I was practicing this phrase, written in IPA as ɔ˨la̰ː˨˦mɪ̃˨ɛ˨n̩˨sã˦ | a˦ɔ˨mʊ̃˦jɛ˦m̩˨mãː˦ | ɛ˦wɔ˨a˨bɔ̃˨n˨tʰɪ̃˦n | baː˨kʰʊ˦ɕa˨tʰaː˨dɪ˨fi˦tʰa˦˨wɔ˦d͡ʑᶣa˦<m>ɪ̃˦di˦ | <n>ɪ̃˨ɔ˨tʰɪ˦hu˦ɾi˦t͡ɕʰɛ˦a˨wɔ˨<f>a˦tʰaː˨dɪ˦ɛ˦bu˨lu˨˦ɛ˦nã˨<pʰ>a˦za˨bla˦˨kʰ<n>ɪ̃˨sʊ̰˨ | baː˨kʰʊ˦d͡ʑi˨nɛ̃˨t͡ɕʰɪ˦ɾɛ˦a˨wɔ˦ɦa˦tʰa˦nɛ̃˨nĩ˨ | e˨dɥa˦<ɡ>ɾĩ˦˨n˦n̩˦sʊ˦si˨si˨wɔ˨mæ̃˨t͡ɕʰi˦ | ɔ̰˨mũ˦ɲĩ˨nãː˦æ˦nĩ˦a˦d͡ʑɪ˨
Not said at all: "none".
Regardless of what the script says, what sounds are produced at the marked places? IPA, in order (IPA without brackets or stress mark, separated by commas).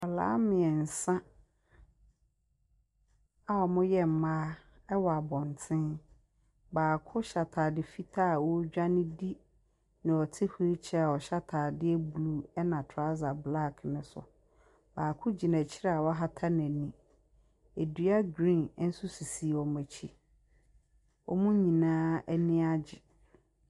n, n, ɕ, tʰ, n, ɡ